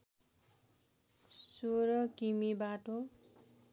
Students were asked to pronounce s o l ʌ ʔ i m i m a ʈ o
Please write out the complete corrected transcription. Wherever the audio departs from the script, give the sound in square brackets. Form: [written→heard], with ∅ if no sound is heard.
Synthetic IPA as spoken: s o [l→ɾ] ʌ [ʔ→k] i m i [m→b] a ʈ o